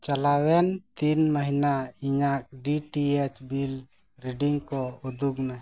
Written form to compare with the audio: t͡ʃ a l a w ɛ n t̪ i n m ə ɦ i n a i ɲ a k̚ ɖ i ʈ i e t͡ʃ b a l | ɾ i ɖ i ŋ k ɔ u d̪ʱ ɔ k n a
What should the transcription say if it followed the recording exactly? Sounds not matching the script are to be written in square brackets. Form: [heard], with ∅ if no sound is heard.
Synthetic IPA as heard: t͡ʃ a l a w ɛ n t̪ i n m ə ɦ i n a i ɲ a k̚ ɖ i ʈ i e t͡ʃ b [i] l | ɾ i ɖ i ŋ k ɔ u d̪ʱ [u] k n a